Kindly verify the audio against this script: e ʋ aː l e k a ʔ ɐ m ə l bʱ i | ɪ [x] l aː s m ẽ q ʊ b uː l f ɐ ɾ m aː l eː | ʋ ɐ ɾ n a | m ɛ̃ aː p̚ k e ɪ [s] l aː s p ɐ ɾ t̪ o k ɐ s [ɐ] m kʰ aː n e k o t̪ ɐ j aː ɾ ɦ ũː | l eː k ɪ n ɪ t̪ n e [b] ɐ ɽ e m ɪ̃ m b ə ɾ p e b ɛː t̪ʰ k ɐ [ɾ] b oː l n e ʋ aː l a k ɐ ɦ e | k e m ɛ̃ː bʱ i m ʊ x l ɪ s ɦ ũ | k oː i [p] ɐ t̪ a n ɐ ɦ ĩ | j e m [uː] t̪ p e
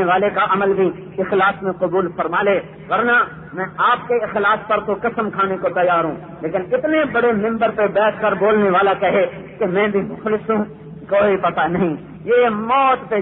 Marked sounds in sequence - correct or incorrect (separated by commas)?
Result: correct, incorrect, incorrect, correct, correct, correct, incorrect